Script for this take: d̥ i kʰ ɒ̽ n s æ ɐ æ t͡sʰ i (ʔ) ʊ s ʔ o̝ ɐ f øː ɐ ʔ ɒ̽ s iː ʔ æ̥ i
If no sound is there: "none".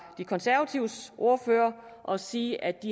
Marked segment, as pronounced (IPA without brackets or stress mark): none